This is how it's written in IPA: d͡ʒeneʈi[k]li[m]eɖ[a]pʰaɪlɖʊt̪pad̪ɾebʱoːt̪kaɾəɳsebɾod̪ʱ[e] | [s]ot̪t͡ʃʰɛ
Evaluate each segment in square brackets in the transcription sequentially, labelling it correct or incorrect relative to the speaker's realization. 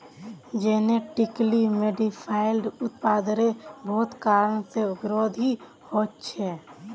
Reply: correct, correct, incorrect: i, incorrect: i, incorrect: h

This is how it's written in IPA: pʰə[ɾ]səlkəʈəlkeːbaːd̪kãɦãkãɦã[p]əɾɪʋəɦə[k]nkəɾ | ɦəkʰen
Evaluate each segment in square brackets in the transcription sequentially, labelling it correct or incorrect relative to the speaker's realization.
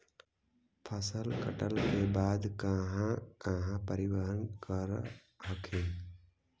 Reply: incorrect: none, correct, incorrect: none

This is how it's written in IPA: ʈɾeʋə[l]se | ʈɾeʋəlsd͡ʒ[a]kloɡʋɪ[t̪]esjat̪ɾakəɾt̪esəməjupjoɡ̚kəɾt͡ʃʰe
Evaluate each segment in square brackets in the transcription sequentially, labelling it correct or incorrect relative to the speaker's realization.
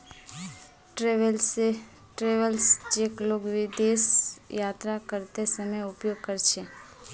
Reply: correct, incorrect: e, incorrect: d̪

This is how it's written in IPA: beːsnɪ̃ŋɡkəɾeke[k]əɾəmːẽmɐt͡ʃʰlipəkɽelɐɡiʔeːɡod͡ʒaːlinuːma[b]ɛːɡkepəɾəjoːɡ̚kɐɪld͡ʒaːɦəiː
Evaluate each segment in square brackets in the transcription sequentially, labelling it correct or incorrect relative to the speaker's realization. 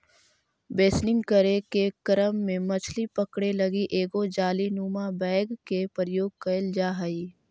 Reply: correct, correct

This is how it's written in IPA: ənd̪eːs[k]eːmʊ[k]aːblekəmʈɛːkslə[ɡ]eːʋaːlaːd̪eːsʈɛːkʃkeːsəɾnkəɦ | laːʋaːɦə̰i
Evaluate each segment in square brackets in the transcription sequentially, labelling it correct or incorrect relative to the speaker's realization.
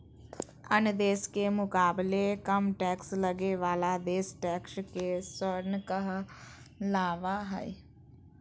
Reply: correct, correct, correct

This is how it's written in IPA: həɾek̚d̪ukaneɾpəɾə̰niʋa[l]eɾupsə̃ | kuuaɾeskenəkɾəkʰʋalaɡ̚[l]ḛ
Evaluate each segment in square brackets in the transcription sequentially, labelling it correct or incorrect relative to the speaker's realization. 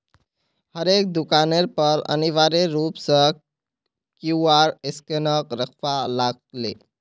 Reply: incorrect: ɾ, correct

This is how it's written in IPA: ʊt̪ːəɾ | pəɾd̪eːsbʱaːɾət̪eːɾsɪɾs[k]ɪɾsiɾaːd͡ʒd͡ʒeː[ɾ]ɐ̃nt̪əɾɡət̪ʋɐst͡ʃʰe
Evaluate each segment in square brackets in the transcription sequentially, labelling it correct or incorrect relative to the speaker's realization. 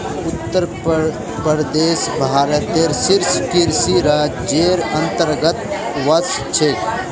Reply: correct, correct

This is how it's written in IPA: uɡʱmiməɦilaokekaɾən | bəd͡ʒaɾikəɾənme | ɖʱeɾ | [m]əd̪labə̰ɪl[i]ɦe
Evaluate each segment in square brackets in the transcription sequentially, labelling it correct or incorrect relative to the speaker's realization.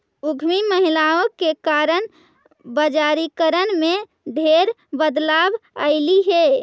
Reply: incorrect: b, correct

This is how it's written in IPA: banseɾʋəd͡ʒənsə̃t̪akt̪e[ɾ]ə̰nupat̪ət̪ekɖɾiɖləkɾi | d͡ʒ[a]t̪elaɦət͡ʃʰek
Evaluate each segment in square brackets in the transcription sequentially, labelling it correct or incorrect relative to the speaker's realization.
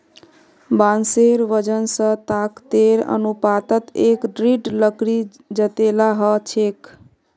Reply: correct, incorrect: ə

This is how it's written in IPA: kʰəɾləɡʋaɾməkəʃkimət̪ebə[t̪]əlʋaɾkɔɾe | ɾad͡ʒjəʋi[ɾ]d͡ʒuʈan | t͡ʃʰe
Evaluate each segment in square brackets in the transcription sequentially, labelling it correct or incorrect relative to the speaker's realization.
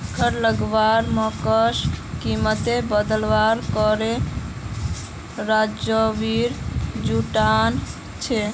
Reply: incorrect: d̪, correct

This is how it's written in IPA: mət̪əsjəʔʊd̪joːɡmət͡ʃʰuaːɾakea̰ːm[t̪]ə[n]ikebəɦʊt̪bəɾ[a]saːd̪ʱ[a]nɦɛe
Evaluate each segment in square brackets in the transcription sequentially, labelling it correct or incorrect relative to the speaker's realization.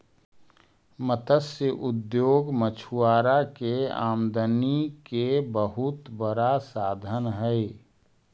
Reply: incorrect: d̪, correct, correct, incorrect: ə

